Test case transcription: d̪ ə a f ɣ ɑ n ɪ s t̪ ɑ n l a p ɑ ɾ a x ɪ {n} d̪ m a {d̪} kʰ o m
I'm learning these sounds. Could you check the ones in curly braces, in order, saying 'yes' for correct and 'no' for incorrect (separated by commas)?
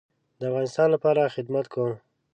no, no